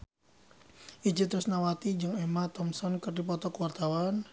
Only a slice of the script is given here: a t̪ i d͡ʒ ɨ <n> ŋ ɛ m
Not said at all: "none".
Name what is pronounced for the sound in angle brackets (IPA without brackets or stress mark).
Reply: none